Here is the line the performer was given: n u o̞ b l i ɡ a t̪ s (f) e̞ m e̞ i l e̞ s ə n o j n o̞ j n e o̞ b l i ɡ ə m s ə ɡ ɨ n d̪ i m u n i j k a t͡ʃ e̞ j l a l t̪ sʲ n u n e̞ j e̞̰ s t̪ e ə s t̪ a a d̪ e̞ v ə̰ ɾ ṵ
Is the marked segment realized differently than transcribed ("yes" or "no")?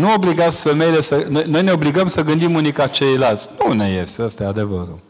no